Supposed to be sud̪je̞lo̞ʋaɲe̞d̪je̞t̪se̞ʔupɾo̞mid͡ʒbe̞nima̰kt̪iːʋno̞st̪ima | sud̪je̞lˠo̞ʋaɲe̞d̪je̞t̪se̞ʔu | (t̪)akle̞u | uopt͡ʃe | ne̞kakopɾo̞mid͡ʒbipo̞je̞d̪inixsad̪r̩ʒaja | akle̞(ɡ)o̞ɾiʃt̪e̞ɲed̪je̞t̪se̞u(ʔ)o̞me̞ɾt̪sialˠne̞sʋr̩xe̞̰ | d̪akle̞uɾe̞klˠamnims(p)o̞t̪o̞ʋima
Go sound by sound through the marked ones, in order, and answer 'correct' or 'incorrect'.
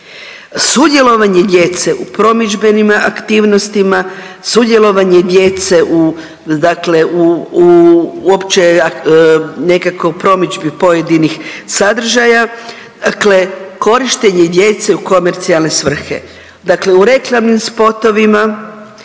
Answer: incorrect: d̪, incorrect: k, incorrect: k, correct

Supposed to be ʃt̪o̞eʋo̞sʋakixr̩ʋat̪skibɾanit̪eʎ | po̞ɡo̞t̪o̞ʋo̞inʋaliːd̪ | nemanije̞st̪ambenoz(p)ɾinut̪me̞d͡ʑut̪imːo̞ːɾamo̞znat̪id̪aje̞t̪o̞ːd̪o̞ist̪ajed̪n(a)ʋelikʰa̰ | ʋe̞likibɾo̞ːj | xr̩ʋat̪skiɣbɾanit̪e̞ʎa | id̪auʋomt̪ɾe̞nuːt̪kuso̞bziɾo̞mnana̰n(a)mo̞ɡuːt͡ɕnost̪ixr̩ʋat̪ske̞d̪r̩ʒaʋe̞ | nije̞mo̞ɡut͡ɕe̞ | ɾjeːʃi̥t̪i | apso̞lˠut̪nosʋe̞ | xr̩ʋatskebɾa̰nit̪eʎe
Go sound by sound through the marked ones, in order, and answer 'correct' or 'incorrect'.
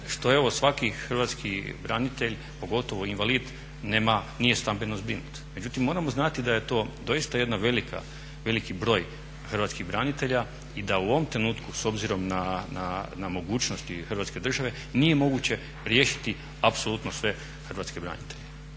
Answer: incorrect: b, correct, correct

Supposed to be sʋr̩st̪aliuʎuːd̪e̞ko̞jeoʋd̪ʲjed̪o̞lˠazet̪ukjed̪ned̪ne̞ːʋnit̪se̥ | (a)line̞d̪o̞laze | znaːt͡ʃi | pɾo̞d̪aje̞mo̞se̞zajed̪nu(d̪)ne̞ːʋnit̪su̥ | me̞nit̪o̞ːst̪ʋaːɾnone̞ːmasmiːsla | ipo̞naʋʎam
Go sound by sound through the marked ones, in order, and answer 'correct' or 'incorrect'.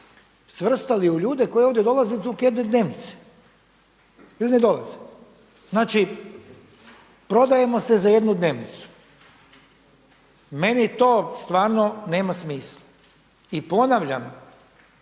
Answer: incorrect: i, correct

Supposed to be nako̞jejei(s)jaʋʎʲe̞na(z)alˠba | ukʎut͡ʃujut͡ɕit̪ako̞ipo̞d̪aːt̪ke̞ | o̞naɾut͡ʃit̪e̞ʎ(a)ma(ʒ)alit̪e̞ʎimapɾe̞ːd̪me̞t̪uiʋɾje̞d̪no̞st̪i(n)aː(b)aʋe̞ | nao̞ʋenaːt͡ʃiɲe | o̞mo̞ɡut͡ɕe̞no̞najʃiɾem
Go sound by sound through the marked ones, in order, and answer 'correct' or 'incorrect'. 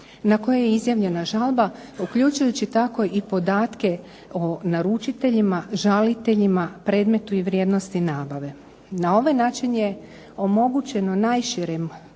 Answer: incorrect: z, incorrect: ʒ, incorrect: i, correct, correct, correct

